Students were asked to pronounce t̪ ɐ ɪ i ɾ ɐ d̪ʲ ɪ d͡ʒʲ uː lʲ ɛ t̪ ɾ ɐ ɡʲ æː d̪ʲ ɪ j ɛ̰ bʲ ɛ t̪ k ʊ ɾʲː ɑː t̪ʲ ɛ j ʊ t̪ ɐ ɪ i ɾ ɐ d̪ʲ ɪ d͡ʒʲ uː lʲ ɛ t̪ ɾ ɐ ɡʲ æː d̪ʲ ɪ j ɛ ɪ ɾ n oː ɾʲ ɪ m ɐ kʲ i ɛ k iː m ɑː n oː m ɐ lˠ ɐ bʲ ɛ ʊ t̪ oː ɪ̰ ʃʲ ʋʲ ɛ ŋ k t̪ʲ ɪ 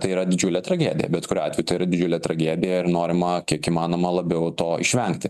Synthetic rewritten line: t̪ ɐ ɪ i ɾ ɐ d̪ʲ ɪ d͡ʒʲ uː lʲ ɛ t̪ ɾ ɐ ɡʲ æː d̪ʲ ɪ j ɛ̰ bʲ ɛ t̪ k ʊ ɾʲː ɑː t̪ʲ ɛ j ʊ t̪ ɐ ɪ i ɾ ɐ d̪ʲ ɪ d͡ʒʲ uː lʲ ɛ t̪ ɾ ɐ ɡʲ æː d̪ʲ ɪ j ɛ ɪ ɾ n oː ɾʲ ɪ m ɐ kʲ i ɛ k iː m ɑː n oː m ɐ lˠ ɐ bʲ ɛ ʊ t̪ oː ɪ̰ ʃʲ ʋʲ ɛ ŋ k t̪ʲ ɪ